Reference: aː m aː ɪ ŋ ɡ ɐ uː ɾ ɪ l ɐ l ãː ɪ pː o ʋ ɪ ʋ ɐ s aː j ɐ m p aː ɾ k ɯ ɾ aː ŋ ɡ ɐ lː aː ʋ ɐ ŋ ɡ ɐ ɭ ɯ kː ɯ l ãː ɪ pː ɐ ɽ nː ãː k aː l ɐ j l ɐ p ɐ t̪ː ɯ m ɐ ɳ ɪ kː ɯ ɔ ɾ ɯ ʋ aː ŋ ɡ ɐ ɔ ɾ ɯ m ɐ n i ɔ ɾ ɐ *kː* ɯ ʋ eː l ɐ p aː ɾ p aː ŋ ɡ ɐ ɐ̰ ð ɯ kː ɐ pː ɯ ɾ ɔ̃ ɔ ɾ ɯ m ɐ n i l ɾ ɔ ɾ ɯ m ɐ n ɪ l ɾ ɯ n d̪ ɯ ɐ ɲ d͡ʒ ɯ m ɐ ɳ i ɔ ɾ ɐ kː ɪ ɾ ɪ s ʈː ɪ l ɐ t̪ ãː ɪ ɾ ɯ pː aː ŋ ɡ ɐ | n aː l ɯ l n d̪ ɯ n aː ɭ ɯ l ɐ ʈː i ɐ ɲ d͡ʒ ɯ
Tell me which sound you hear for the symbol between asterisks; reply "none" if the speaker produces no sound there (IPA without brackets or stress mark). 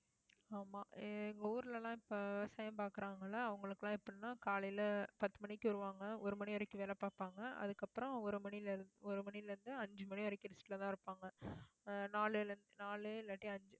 kː